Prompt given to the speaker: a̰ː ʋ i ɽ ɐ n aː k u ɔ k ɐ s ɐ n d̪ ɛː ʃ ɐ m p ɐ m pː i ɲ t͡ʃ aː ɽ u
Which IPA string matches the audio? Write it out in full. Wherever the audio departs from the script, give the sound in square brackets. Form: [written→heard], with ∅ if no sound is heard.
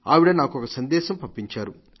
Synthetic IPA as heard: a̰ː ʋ i ɽ ɐ n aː k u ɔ k ɐ s ɐ n d̪ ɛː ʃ ɐ m p ɐ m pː i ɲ t͡ʃ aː [ɽ→ɾ] u